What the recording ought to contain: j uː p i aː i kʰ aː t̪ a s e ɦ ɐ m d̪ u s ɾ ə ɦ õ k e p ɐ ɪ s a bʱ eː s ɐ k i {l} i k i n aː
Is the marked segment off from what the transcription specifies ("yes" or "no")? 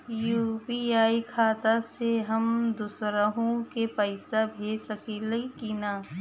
no